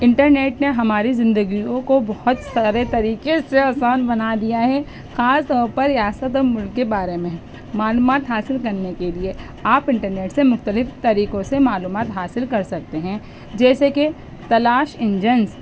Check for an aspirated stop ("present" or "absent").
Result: absent